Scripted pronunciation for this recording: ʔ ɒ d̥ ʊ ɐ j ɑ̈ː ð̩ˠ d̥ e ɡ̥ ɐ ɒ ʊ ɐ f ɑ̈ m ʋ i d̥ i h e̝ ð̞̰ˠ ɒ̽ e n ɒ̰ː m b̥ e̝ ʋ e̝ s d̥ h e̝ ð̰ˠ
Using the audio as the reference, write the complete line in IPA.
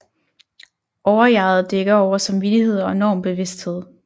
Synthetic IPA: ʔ ɒ ʊ ɐ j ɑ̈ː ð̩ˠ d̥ e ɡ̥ ɐ ɒ ʊ ɐ s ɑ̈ m ʋ i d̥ i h e̝ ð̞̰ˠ ɒ̽ e n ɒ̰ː m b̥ e̝ ʋ e̝ s d̥ h e̝ ð̰ˠ

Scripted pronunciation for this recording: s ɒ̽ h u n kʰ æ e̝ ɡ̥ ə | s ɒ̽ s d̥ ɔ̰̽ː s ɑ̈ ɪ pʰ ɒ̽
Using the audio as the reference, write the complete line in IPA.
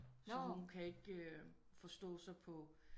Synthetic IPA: s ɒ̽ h u n kʰ æ e̝ ɡ̥ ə | f ɒ̽ s d̥ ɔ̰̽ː s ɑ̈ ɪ pʰ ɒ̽

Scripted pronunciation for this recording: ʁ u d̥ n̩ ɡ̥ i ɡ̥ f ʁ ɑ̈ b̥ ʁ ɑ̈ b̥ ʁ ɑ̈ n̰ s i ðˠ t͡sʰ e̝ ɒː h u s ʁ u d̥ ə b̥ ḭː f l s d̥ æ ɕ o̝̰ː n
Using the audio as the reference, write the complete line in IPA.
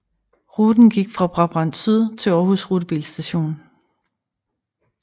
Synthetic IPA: ʁ u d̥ n̩ ɡ̥ i ɡ̥ f ʁ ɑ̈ b̥ ʁ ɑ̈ b̥ ʁ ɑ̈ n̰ s y ðˠ t͡sʰ e̝ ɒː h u s ʁ u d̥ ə b̥ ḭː l s d̥ æ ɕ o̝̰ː n

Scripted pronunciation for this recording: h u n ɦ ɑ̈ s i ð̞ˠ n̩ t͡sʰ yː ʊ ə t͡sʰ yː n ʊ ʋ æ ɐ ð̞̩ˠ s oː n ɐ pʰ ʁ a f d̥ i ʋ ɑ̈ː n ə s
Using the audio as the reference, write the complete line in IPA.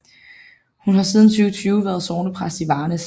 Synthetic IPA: h u n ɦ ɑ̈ s i ð̞ˠ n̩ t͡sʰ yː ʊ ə t͡sʰ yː ʊ ʋ æ ɐ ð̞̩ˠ s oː n ə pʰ ʁ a s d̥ i ʋ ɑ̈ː n ə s

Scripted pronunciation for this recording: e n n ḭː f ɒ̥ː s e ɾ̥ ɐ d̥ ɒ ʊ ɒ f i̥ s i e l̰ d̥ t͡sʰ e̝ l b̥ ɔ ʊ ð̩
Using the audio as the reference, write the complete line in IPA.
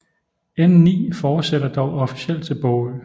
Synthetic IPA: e n n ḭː f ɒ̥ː s e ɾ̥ ɐ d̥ ɒ ʊ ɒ f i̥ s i e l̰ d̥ t͡sʰ e̝ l b̥ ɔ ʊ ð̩

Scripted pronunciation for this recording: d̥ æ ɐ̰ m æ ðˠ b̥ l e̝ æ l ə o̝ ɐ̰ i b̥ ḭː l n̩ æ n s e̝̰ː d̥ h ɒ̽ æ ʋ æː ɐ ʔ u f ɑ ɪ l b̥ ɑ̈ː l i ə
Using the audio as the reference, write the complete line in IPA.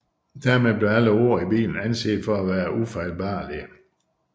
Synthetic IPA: d̥ æ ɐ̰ m e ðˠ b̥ l e̝ æ l ə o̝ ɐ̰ i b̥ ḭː l n̩ æ n s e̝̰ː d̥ f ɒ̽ æ ʋ æː ɐ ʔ u f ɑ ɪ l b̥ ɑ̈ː l i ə

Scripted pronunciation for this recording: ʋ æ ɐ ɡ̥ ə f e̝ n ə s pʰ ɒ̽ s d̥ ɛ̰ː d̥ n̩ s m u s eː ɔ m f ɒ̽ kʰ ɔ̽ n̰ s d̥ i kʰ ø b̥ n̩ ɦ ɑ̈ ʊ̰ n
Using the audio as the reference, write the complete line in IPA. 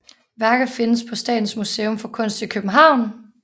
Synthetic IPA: ʋ æ ɐ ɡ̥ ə f e̝ n ə s pʰ ɒ̽ s d̥ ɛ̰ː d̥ n̩ s m u s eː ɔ m f ɒ̽ kʰ ɔ̽ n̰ s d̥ i kʰ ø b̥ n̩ ɦ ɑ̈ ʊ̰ n

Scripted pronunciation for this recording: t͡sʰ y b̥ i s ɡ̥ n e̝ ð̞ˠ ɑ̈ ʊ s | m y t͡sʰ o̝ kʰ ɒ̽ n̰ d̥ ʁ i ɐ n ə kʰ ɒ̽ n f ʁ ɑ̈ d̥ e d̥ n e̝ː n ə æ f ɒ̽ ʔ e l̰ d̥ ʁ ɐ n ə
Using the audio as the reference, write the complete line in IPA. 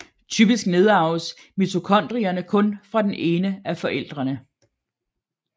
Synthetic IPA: t͡sʰ y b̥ i s ɡ̥ n e̝ ð̞ˠ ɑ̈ ʊ s | m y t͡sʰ o̝ kʰ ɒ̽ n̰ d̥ ʁ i ɐ n ə kʰ ɔ̽ n f ʁ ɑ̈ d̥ e n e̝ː n ə æ f ɒ̽ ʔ e l̰ d̥ ʁ ɐ n ə

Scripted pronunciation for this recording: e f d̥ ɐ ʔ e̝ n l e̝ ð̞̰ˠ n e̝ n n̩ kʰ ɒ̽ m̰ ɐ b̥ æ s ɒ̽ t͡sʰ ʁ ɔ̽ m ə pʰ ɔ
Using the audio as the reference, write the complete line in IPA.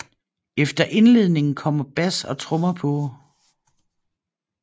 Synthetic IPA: e f d̥ ɐ ʔ e̝ n l e̝ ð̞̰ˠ n e̝ ŋ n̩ kʰ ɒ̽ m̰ ɐ b̥ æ s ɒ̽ t͡sʰ ʁ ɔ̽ m ɐ pʰ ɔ

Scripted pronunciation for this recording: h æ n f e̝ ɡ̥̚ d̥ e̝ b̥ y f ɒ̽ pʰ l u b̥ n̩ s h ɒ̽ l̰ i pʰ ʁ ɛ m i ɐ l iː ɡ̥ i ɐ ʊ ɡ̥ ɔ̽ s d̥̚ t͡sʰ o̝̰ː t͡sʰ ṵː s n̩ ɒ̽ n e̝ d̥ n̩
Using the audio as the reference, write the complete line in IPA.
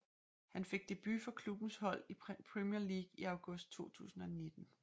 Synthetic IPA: h æ n f e̝ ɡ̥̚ d̥ e̝ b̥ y f ɒ̽ kʰ l u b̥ n̩ s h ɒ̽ l̰ i pʰ ʁ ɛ m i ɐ l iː ɡ̥ i ɑ ʊ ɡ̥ ɔ̽ s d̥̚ t͡sʰ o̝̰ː t͡sʰ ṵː s n̩ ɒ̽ n e̝ d̥ n̩

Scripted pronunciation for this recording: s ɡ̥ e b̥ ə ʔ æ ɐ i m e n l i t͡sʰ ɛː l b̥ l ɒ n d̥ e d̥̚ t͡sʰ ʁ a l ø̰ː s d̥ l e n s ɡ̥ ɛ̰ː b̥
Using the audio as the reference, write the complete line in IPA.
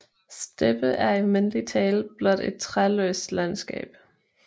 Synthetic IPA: s d̥ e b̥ ə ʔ æ ɐ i m e n l i t͡sʰ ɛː l b̥ l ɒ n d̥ e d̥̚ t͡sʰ ʁ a l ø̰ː s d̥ l æ n s ɡ̥ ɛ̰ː b̥

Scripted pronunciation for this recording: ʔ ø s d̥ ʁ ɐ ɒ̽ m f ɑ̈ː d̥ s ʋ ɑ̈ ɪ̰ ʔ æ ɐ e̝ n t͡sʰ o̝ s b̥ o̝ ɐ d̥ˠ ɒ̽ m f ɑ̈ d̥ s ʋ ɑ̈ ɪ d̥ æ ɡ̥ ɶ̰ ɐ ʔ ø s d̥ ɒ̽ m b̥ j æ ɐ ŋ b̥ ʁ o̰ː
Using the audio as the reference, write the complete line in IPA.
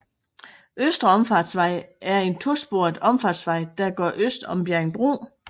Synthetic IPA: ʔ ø s d̥ ʁ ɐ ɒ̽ m f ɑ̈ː d̥ s ʋ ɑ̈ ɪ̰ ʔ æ ɐ e̝ n t͡sʰ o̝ s b̥ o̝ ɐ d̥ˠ ɒ̽ m f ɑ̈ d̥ s ʋ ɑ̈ ɪ d̥ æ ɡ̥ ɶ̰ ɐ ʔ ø s d̥ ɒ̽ m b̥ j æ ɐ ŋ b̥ ʁ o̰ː

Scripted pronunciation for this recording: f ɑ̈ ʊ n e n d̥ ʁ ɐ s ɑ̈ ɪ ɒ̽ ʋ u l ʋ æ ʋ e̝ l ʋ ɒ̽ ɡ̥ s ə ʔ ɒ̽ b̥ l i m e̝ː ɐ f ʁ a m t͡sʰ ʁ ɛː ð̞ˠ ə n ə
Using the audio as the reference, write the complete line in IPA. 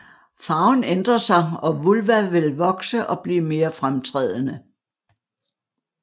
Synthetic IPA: f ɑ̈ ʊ n e n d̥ ʁ ɐ s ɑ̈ ɪ ɒ̽ ʋ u l ʋ æ ʋ e̝ l ʋ ɒ̽ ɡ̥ s ə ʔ ɒ̽ b̥ l iː m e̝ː ɐ f ʁ a m t͡sʰ ʁ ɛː ð̞ˠ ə n ə

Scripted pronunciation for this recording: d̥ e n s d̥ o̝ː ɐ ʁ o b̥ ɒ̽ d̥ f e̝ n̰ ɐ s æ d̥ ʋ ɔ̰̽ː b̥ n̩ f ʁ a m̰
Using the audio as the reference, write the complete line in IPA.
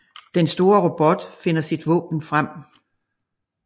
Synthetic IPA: d̥ e n s d̥ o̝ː ɐ ʁ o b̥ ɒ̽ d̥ f e̝ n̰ ɐ s i d̥ ʋ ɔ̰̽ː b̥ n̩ f ʁ a m̰

